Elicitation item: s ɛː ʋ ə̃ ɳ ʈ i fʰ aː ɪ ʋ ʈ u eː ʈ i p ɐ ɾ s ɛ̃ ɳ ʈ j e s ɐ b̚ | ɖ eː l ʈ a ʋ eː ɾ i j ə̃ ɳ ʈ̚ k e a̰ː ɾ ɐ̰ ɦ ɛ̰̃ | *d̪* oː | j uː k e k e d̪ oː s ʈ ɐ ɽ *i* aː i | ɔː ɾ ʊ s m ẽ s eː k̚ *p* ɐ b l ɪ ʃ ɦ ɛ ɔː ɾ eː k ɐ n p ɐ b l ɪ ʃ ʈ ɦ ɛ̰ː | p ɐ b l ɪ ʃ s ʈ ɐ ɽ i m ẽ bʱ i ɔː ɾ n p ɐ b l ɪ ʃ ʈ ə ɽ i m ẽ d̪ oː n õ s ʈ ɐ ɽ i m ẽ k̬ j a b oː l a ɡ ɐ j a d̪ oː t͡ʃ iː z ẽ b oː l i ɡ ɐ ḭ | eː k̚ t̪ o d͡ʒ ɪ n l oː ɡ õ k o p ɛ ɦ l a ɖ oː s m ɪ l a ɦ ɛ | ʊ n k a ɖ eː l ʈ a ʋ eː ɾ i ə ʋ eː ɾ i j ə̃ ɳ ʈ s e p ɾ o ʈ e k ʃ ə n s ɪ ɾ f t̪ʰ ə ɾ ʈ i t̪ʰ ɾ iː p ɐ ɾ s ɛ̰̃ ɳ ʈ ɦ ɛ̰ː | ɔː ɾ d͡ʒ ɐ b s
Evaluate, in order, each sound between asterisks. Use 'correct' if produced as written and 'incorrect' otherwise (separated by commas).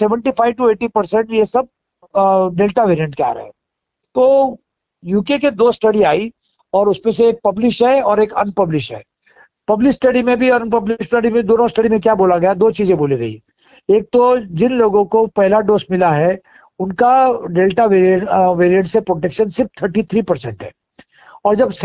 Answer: incorrect, correct, correct